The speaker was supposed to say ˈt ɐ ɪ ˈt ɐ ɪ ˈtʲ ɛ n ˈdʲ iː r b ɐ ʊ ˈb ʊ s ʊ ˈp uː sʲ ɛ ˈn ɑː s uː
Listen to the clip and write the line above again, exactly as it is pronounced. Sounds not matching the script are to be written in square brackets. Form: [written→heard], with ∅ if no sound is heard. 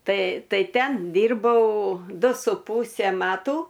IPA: ˈt ɐ ɪ ˈt ɐ ɪ ˈtʲ ɛ n ˈdʲ iː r b ɐ ʊ [ˈb→ˈd] ʊ s ʊ ˈp uː sʲ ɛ [ˈn→ˈm] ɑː [s→t] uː

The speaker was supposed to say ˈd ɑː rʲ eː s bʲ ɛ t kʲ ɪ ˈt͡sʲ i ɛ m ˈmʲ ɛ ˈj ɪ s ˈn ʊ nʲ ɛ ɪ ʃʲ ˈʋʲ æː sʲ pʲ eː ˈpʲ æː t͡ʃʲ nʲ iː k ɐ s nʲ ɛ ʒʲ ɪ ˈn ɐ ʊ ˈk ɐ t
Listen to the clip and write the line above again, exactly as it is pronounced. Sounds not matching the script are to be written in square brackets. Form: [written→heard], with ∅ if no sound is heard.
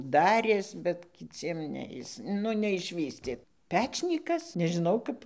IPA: ˈd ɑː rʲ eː s bʲ ɛ t kʲ ɪ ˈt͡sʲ i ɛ m [ˈmʲ→ˈnʲ] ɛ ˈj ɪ s ˈn ʊ nʲ ɛ ɪ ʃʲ ˈʋʲ [æː→iː] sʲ [pʲ→tʲ] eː ˈpʲ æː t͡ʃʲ nʲ iː k ɐ s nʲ ɛ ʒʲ ɪ ˈn ɐ ʊ ˈk ɐ [t→p]

